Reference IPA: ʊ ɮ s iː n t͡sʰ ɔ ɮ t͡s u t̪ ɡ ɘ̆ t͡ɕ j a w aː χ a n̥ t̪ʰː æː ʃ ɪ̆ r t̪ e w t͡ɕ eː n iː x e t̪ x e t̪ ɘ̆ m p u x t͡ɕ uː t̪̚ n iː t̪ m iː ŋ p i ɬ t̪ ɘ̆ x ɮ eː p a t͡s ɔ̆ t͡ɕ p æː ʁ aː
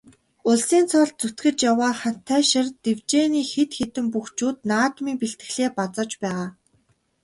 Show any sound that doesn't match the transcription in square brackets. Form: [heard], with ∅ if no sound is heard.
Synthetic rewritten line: ʊ ɮ s iː n t͡sʰ ɔ ɮ t͡s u t̪ ɡ ɘ̆ t͡ɕ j a w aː χ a n̥ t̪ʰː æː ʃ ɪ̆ r t̪ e w t͡ɕ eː n iː x e t̪ x e t̪ ɘ̆ m p u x t͡ɕ uː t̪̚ n [aː] t̪ m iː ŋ p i ɬ t̪ ɘ̆ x ɮ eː p a t͡s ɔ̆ t͡ɕ p æː ʁ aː